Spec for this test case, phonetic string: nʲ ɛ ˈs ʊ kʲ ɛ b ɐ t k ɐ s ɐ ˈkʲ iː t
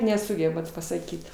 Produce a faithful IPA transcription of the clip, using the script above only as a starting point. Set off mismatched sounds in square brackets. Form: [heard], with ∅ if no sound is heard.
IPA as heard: nʲ ɛ ˈs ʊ [ɡʲ] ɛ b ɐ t [p] ɐ s ɐ ˈkʲ iː t

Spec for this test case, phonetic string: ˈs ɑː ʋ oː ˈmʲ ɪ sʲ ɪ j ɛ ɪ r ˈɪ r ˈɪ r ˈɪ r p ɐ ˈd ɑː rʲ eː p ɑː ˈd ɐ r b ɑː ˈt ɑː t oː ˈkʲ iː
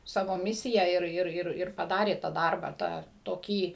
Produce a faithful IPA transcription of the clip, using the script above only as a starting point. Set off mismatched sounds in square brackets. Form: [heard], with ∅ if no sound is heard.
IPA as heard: ˈs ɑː ʋ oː ˈmʲ ɪ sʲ ɪ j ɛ ɪ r ˈɪ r ˈɪ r ˈɪ r p ɐ ˈd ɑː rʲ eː [t] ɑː ˈd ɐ r b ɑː ˈt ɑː t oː ˈkʲ iː

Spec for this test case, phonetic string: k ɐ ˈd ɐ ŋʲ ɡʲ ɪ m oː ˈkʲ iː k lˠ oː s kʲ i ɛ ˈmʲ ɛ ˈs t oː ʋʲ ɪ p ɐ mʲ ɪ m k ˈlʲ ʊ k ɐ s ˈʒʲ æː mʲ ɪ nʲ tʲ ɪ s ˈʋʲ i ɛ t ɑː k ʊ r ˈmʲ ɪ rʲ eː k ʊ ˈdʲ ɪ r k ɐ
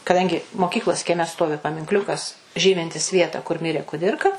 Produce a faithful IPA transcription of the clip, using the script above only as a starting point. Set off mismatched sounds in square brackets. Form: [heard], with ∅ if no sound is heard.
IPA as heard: k ɐ ˈd ɐ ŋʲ ɡʲ ɪ m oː ˈkʲ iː k lˠ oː s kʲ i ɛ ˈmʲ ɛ ˈs t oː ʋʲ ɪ p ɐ mʲ ɪ [ŋ] k ˈlʲ ʊ k ɐ s ˈʒʲ [iː] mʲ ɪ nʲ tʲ ɪ s ˈʋʲ i ɛ t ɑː k ʊ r ˈmʲ ɪ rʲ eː k ʊ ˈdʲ ɪ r k ɐ

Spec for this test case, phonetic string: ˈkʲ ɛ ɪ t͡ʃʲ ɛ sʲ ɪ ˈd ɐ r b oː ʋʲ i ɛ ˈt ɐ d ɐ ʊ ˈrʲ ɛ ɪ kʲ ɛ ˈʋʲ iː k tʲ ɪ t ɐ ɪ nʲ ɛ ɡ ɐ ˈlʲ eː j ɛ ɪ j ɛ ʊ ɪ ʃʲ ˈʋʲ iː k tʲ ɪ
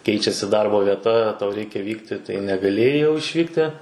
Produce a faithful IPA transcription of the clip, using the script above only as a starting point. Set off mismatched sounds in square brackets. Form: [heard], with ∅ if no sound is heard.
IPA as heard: ˈkʲ ɛ ɪ t͡ʃʲ ɛ sʲ ɪ ˈd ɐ r b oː ʋʲ i ɛ ˈt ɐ [t] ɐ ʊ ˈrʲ ɛ ɪ kʲ ɛ ˈʋʲ iː k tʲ ɪ t ɐ ɪ nʲ ɛ ɡ ɐ ˈlʲ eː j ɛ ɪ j ɛ ʊ ɪ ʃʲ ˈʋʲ iː k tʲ ɪ

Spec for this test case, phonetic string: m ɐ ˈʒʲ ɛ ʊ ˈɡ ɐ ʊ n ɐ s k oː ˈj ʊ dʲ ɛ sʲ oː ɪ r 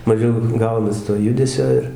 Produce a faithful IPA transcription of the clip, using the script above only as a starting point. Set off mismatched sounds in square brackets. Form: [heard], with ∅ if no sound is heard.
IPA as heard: m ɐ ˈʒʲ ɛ ʊ ˈɡ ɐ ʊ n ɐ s [t] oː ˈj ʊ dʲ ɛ sʲ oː ɪ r

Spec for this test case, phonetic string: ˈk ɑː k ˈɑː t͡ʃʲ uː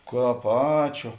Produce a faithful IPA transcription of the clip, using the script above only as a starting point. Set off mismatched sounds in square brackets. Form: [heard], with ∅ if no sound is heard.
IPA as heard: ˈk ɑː [p] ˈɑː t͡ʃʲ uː

